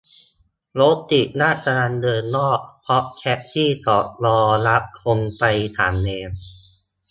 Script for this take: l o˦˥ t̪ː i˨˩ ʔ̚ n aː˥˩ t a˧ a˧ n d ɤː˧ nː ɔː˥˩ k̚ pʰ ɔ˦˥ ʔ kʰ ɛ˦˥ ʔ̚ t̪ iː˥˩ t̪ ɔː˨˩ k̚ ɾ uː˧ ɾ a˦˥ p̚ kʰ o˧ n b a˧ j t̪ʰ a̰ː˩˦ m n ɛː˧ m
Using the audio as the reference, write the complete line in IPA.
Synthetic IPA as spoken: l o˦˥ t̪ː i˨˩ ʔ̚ n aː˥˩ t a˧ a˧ n d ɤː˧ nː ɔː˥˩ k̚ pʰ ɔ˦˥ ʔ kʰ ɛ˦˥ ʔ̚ t̪ʰ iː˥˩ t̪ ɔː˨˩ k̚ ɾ ɔː˧ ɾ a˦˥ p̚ kʰ o˧ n p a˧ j t̪ʰ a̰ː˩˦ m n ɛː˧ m